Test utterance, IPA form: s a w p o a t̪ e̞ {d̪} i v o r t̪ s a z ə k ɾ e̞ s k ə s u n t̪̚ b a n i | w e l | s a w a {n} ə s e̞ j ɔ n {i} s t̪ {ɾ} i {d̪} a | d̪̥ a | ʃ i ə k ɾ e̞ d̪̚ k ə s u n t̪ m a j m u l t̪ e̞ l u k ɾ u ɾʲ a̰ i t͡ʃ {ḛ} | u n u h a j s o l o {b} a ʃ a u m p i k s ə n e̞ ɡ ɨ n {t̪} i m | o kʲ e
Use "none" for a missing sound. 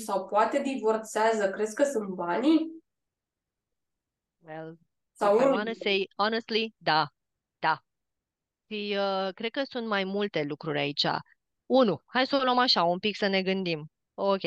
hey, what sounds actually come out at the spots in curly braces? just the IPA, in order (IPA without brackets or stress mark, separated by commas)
d̪, n, e, l, d̪, a̰, m, d̪